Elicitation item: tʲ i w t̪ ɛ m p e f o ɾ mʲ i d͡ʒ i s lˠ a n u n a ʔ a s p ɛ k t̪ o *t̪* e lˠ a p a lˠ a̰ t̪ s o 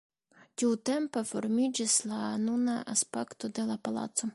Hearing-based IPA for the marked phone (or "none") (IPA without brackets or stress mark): d̪